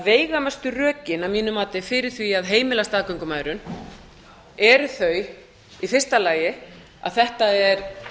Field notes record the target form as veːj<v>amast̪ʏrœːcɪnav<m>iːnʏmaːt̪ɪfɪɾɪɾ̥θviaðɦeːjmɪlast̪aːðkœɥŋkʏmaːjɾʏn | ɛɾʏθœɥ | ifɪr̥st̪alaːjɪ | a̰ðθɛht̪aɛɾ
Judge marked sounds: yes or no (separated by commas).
no, yes